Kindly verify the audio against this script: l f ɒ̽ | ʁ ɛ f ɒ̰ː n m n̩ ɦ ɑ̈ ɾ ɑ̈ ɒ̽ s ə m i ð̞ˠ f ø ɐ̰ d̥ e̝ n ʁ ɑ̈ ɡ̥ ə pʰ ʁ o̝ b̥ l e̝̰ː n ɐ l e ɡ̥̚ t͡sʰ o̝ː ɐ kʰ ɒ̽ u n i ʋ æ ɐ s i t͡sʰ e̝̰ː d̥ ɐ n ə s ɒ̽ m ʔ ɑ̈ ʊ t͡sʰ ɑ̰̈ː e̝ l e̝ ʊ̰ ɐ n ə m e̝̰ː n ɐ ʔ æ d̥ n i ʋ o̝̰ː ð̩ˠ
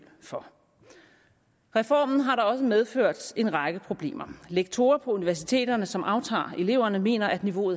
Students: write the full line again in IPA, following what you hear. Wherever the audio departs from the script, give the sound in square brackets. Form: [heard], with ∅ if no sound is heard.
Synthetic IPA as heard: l f ɒ̽ | ʁ ɛ f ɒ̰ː [∅] m n̩ ɦ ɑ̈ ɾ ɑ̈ ɒ̽ s ə m [e] ð̞ˠ f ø ɐ̰ d̥ e̝ n ʁ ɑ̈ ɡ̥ ə pʰ ʁ o̝ b̥ l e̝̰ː [m] ɐ l e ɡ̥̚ t͡sʰ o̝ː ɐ [pʰ] ɒ̽ u n i ʋ æ ɐ s i t͡sʰ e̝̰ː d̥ ɐ n ə s ɒ̽ m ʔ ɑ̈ ʊ t͡sʰ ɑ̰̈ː e̝ l e̝ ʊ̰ ɐ n ə m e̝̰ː n ɐ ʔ æ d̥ n i ʋ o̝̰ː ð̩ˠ